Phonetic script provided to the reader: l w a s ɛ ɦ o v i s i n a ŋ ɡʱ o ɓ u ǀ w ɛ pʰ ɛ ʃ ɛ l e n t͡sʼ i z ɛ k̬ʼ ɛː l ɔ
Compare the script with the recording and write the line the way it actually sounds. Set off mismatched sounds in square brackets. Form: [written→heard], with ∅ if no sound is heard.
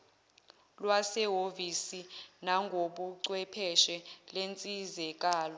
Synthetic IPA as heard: l w a s ɛ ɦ o v i s i n a ŋ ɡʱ o ɓ u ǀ w ɛ pʰ ɛ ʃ ɛ l e n t͡sʼ i z ɛ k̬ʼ [ɛː→aː] l ɔ